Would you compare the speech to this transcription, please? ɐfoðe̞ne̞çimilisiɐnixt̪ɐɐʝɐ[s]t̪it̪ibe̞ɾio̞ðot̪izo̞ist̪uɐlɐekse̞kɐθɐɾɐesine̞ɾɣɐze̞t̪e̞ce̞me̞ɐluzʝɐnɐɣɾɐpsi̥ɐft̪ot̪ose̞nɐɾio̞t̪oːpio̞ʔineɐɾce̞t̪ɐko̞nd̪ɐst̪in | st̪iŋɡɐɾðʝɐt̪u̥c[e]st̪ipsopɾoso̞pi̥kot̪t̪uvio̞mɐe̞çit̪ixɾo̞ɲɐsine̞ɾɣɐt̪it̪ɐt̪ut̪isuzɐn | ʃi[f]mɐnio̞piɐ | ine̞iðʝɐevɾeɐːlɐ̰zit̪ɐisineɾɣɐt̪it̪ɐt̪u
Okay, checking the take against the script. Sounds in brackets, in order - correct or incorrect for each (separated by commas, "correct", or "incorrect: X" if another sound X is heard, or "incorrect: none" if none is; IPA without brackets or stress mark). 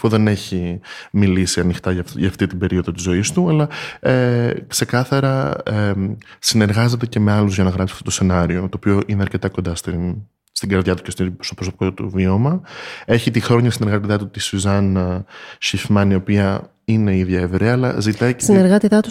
incorrect: f, correct, correct